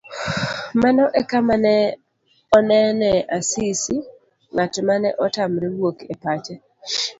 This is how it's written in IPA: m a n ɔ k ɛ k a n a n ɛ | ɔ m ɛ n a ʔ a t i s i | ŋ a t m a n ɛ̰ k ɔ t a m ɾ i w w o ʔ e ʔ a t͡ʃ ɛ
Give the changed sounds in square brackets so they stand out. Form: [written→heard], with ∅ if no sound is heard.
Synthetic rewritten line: m a n ɔ [k→ʔ] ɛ k a [n→m] a n ɛ | ɔ [m→n] ɛ n [a→ɛ] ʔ a [t→s] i s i | ŋ a t m a n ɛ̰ [k→ʔ] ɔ t a m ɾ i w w o [ʔ→k] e [ʔ→p] a t͡ʃ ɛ